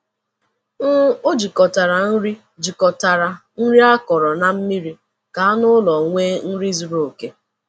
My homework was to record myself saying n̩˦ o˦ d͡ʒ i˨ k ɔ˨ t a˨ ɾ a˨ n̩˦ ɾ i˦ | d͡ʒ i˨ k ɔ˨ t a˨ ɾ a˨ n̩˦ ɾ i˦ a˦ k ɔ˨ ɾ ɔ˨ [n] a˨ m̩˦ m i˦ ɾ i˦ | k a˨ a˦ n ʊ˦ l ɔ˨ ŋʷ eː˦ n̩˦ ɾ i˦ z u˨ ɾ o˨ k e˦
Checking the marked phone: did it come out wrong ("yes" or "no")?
no